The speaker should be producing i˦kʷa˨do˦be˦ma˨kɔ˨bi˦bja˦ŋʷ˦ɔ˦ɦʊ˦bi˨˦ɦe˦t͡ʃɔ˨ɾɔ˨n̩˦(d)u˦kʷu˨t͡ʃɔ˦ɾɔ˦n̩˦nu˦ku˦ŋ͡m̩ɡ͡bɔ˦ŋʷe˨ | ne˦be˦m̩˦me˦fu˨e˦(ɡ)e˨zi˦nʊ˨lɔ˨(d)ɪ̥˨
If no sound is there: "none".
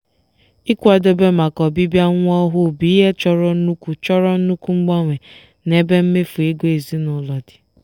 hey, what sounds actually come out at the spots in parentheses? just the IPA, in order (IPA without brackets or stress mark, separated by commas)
n, ɡ, d